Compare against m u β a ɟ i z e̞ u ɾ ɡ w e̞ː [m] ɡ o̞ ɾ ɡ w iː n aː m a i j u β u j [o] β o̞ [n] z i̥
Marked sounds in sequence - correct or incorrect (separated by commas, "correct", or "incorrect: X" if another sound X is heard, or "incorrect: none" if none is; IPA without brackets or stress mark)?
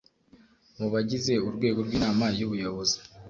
incorrect: none, correct, incorrect: none